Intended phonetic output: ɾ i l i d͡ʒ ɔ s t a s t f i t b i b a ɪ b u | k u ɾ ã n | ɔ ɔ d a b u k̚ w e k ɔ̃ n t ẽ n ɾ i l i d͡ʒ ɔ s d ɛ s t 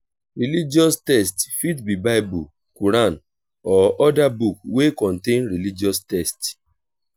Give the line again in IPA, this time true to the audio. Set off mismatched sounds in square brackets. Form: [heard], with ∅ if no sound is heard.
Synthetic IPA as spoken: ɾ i l i d͡ʒ ɔ s t [ɛ] s t f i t b i b a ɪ b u | k u ɾ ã n | ɔ ɔ d a b u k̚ w e k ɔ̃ n t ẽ n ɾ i l i d͡ʒ ɔ s [t] ɛ s t